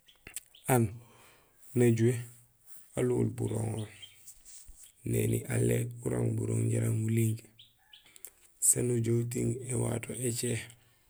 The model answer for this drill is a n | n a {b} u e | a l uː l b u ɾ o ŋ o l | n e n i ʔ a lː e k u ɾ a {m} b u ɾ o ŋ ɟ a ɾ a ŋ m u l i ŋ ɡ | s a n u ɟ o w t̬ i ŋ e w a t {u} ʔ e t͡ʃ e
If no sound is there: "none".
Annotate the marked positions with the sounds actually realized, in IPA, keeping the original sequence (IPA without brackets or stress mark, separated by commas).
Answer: ɟ, ŋ, o